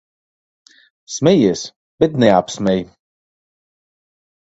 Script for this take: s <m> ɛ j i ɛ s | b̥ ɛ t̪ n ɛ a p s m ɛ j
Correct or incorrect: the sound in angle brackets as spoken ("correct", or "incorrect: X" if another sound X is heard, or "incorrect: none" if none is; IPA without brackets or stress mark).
correct